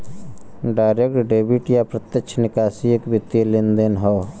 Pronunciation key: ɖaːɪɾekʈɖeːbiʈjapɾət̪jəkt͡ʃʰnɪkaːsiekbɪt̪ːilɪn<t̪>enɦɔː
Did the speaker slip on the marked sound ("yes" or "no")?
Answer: yes